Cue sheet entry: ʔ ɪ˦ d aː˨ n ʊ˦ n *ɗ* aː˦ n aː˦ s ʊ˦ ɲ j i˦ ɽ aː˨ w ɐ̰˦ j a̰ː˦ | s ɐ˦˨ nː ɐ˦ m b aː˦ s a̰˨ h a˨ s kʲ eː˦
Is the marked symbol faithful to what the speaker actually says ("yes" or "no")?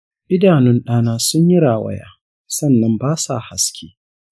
yes